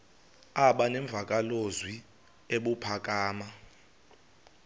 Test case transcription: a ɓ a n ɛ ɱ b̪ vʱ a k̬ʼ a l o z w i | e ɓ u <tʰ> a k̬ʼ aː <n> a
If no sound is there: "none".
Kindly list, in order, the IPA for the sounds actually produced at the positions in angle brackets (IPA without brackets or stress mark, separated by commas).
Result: pʰ, m